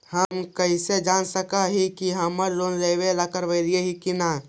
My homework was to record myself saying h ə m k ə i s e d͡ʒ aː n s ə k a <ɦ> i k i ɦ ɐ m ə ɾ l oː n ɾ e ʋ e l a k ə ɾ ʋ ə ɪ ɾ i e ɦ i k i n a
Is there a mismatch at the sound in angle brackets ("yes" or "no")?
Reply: no